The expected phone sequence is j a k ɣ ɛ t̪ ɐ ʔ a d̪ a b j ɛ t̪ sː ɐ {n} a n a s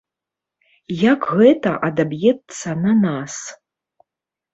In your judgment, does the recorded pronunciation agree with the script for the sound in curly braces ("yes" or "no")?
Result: yes